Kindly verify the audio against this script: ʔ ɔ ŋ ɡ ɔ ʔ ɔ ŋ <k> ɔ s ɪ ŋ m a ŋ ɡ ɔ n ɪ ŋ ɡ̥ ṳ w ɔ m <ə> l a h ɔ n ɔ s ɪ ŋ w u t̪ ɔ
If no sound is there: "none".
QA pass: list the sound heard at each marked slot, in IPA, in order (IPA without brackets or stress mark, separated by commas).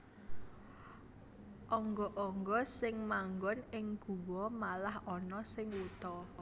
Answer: ɡ, a